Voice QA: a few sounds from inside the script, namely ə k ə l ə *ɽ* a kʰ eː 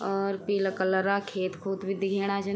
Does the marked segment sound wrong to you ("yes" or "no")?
yes